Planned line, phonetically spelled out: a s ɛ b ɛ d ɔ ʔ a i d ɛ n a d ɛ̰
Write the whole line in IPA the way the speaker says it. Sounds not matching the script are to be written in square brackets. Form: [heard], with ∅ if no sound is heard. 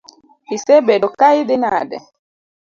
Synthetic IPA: [i] s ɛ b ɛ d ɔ [k] a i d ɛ n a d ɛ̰